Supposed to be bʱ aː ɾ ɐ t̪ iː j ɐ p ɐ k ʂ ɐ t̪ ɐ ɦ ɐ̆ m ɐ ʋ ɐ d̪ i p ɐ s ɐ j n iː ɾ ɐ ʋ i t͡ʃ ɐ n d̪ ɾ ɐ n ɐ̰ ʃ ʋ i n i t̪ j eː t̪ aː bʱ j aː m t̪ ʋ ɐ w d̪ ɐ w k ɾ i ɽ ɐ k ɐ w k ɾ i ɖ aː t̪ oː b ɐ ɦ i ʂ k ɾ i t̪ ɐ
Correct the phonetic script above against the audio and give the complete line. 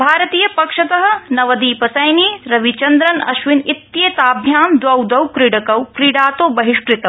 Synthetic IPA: bʱ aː ɾ ɐ t̪ iː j ɐ p ɐ k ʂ ɐ t̪ ɐ ɦ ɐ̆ n ɐ ʋ ɐ d̪ iː p ɐ s ɐ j n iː ɾ ɐ ʋ i t͡ʃ ɐ n d̪ ɾ ɐ n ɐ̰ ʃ ʋ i n i t̪ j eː t̪ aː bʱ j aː m d̪ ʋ ɐ w d̪ ɐ w k ɾ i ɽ ɐ k ɐ w k ɾ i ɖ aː t̪ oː b ɐ ɦ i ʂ k ɾ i t̪ ɐ

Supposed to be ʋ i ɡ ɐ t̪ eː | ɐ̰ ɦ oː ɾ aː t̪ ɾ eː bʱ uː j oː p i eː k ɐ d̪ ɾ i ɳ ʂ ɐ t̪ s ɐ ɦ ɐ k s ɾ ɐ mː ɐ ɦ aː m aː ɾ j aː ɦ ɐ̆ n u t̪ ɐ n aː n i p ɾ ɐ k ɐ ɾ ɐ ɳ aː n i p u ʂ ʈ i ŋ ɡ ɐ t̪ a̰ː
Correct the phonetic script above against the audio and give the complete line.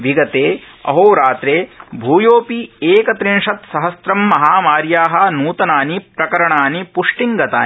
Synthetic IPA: ʋ i ɡ ɐ t̪ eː | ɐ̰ ɦ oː ɾ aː t̪ ɾ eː bʱ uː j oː p i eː k ɐ t̪ ɾ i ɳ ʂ ɐ t̪ s ɐ ɦ ɐ s ɾ ɐ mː ɐ ɦ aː m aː ɾ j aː ɦ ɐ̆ n uː t̪ ɐ n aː n i p ɾ ɐ k ɐ ɾ ɐ ɳ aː n i p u ʂ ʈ i ŋ ɡ ɐ t̪ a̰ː

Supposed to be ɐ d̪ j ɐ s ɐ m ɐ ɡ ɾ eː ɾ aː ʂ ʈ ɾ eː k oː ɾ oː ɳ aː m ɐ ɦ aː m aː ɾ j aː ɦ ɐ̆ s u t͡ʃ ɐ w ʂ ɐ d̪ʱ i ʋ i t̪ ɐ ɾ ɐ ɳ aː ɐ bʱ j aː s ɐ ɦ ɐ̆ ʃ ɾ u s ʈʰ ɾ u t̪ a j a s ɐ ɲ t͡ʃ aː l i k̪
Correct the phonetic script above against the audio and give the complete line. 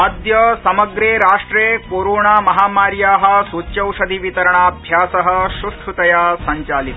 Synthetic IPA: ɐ d̪ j ɐ s ɐ m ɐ ɡ ɾ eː ɾ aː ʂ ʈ ɾ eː k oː ɾ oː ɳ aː m ɐ ɦ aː m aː ɾ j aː ɦ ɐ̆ s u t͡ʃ ɐ w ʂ ɐ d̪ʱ i ʋ i t̪ ɐ ɾ ɐ ɳ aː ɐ bʱ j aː s ɐ ɦ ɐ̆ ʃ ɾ u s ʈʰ ɾ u t̪ ɐ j a s ɐ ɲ t͡ʃ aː l i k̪

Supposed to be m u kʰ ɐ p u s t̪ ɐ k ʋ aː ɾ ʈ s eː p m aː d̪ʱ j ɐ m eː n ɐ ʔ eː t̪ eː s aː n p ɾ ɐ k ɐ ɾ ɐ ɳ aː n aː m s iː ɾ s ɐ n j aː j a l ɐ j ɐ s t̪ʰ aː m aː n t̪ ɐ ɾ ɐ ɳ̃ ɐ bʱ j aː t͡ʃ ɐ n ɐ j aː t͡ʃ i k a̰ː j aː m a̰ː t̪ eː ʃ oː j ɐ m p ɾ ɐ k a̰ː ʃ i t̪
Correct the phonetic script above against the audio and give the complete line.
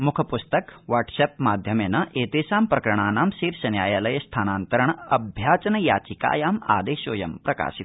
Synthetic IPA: m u kʰ ɐ p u s t̪ ɐ k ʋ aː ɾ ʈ s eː p m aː d̪ʱ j ɐ m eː n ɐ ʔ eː t̪ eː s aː m p ɾ ɐ k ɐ ɾ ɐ ɳ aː n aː m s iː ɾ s ɐ n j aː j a l ɐ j ɐ s t̪ʰ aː n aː n t̪ ɐ ɾ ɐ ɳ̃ ɐ bʱ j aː t͡ʃ ɐ n ɐ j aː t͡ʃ i k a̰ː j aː m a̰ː d̪ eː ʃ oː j ɐ m p ɾ ɐ k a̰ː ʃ i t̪

